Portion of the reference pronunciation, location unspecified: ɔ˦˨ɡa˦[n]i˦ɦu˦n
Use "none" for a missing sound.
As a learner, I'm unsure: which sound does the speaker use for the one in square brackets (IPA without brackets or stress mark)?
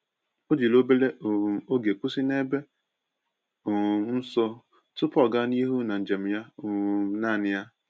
n